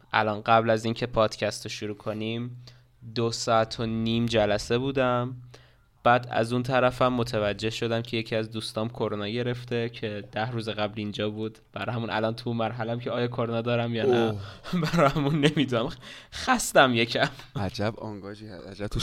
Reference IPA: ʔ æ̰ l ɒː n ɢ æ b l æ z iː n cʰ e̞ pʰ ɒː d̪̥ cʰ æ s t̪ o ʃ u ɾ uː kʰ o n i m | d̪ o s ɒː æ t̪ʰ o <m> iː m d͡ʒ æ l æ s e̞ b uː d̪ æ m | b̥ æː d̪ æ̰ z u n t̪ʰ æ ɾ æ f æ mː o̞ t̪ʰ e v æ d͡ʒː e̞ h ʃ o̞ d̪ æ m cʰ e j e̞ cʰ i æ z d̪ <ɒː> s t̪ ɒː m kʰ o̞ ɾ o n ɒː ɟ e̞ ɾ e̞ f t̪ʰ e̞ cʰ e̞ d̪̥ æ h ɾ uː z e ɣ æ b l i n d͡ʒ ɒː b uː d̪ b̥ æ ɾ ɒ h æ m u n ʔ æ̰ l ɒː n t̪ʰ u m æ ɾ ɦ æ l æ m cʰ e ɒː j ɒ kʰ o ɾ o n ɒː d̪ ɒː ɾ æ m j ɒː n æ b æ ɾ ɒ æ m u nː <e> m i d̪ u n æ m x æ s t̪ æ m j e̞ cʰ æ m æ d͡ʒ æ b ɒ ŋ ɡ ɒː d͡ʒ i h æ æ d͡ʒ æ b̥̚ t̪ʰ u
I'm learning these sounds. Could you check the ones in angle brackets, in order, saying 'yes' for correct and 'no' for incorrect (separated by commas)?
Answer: no, no, yes